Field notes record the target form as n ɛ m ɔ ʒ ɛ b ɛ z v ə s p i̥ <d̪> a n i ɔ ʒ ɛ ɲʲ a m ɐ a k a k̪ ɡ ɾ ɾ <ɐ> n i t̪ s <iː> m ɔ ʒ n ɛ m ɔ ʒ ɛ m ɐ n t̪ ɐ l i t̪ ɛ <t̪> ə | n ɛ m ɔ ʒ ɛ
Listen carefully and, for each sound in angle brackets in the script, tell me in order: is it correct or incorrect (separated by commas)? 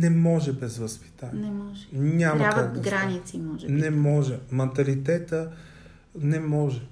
incorrect, incorrect, incorrect, correct